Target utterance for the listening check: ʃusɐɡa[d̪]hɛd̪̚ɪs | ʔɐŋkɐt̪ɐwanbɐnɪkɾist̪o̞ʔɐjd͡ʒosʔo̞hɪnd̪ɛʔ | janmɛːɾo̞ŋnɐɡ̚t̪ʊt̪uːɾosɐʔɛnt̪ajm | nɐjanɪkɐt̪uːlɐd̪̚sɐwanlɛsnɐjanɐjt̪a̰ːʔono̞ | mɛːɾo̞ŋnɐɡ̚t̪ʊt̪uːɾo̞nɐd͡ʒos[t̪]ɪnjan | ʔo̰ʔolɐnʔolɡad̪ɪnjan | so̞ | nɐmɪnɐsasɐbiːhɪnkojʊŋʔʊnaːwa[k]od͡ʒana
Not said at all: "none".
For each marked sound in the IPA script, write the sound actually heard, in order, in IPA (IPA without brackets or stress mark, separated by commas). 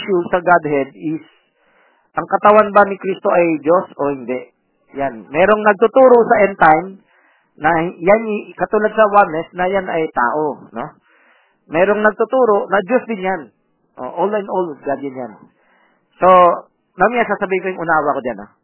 d̪, d̪, k